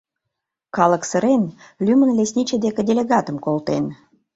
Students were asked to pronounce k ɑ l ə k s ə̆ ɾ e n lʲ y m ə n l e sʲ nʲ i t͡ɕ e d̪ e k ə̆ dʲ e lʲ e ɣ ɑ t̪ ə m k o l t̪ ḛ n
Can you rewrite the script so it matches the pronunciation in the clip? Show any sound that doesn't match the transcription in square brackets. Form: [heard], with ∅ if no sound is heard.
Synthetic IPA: k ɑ l ə k s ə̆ ɾ e n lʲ y m ə n l e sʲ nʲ i t͡ɕ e d̪ e k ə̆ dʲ e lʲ e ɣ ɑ t̪ ə m k o l t̪ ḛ n